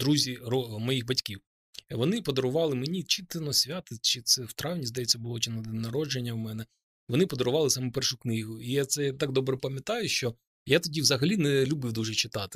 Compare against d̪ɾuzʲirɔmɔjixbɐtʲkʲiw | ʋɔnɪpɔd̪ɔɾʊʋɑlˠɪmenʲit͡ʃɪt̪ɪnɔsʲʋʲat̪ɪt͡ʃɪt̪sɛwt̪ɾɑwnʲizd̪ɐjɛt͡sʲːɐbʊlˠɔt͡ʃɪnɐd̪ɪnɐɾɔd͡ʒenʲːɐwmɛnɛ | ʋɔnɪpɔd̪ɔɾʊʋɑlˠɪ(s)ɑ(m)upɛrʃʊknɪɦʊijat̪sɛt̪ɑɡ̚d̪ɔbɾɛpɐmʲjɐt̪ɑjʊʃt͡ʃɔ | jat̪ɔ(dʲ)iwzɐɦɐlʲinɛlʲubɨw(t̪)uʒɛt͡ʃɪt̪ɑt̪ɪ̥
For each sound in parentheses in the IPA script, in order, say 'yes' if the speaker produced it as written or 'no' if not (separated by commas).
yes, yes, yes, no